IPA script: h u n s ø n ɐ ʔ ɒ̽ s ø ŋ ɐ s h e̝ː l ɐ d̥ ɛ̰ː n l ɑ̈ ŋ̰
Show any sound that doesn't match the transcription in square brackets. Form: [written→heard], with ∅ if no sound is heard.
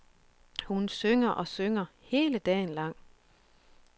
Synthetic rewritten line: h u n s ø [n→ŋ] ɐ ʔ ɒ̽ s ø ŋ ɐ [s→∅] h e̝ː l [ɐ→ə] d̥ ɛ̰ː n l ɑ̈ ŋ̰